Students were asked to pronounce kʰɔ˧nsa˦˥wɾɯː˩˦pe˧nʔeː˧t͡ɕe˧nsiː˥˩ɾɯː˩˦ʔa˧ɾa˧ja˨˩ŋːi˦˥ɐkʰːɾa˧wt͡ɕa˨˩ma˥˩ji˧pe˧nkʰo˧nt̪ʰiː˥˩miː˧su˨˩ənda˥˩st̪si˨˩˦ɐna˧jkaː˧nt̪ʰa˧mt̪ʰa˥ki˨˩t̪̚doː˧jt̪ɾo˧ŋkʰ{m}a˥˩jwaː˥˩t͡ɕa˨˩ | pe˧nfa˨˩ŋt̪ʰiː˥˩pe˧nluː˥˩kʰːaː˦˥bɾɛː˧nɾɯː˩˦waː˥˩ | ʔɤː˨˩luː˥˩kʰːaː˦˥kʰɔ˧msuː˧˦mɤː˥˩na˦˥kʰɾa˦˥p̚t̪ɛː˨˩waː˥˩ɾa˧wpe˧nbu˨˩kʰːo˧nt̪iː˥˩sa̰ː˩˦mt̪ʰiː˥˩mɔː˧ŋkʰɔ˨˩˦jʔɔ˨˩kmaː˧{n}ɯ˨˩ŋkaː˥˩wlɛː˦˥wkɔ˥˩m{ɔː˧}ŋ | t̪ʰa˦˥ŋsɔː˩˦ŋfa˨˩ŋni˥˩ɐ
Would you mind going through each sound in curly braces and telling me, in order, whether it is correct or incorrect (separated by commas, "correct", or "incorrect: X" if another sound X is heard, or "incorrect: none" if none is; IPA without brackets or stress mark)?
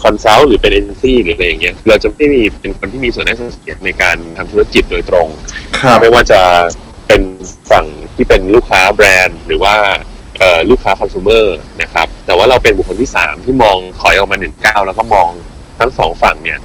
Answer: correct, correct, correct